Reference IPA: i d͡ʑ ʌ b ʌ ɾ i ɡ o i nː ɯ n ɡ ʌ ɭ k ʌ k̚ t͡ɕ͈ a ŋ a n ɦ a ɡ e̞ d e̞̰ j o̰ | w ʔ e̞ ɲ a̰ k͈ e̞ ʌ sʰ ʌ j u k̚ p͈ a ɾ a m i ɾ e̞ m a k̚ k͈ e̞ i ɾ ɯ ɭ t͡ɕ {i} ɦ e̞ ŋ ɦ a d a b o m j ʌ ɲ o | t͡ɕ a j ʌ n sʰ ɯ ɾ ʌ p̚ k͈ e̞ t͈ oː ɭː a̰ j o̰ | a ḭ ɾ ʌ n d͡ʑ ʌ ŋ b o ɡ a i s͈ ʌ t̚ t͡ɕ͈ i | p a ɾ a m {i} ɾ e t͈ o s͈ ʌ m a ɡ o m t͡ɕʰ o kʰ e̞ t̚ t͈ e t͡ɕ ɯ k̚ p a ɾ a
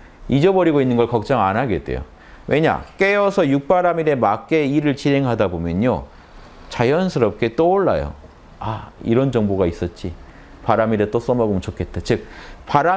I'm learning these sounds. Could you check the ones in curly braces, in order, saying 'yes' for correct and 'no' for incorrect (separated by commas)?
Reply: yes, yes